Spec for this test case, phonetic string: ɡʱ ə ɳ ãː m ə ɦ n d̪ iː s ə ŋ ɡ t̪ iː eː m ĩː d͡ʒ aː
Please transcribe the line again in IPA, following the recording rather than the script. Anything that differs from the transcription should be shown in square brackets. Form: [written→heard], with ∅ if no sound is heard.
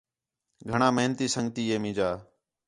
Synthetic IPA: ɡʱ ə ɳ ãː m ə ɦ n [d̪→t̪] iː s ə ŋ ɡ t̪ iː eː m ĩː d͡ʒ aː